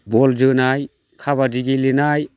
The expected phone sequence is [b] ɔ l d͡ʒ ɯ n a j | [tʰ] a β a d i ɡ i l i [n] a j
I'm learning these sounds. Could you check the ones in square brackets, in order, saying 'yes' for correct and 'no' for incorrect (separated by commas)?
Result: yes, no, yes